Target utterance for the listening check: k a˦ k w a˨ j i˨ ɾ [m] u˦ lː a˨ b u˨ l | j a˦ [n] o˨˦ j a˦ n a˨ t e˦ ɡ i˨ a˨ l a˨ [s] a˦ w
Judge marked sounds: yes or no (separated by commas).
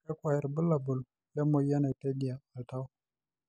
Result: no, no, no